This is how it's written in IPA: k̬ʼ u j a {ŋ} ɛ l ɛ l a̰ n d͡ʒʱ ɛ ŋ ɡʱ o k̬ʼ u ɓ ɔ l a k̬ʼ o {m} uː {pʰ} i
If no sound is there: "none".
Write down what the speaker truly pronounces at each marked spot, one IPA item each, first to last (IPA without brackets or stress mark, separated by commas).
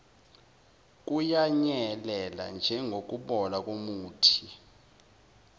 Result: ɲ, m, tʰ